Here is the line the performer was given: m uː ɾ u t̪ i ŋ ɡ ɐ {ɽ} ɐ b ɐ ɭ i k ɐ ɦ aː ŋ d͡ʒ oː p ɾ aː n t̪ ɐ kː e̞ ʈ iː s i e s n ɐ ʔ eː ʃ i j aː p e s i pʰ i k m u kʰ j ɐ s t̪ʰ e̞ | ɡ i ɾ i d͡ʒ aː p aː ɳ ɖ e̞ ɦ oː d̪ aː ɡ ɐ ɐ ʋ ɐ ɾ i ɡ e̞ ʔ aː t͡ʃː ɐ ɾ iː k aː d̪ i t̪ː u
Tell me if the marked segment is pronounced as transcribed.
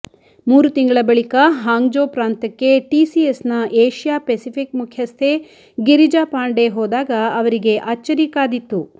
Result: no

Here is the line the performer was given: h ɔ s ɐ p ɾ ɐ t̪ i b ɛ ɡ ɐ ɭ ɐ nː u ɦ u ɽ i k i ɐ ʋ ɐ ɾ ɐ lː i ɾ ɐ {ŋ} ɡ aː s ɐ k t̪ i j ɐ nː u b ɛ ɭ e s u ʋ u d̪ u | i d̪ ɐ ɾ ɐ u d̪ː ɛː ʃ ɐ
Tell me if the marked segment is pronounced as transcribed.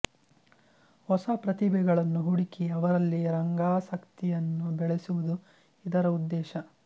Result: yes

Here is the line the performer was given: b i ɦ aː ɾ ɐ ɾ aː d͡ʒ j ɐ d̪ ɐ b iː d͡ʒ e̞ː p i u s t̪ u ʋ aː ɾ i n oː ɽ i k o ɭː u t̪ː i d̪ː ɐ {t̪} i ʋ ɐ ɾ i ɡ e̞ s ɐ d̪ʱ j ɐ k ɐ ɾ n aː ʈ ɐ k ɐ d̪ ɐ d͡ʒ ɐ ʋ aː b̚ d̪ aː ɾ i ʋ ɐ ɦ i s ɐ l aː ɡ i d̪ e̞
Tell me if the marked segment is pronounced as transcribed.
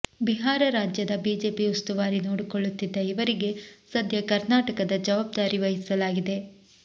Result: no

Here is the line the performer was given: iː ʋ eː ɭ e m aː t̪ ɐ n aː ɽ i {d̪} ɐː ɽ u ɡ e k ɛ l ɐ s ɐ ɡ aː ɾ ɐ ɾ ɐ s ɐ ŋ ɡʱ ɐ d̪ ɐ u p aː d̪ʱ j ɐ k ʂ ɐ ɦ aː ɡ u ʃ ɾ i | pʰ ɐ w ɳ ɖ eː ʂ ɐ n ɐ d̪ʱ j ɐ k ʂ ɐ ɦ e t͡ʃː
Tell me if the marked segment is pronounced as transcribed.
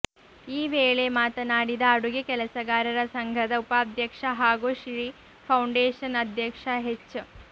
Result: yes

